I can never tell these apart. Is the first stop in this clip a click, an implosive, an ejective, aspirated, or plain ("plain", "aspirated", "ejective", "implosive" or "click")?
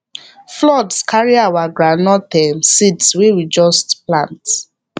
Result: plain